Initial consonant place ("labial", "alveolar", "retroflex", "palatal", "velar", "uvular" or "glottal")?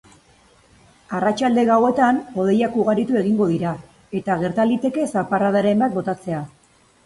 alveolar